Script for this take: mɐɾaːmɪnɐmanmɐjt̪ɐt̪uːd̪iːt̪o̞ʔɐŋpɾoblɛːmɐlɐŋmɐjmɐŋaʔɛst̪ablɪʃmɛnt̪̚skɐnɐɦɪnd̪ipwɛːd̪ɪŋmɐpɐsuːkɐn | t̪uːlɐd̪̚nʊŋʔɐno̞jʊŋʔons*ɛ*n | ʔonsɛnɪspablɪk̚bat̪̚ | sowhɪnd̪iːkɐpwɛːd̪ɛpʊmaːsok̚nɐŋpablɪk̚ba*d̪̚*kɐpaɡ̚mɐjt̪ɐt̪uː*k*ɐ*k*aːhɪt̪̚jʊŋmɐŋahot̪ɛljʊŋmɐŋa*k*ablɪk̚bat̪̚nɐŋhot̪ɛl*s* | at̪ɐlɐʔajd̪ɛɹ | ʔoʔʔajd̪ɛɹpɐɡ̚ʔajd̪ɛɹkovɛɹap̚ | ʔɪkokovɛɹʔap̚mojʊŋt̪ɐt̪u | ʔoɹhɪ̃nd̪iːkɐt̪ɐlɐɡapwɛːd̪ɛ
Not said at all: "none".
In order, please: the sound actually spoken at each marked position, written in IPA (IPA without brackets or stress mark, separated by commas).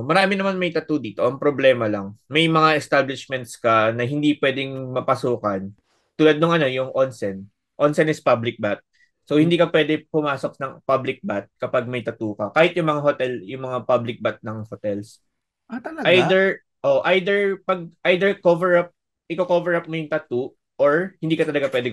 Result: ɛ, t̪̚, k, k, p, s